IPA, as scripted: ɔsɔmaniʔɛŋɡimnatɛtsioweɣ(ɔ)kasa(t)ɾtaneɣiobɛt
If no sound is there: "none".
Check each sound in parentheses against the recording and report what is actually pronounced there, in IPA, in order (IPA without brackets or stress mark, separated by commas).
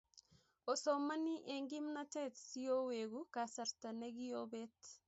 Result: u, none